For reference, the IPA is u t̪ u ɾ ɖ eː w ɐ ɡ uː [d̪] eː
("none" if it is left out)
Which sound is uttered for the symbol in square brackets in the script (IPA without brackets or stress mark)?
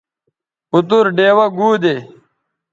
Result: d̪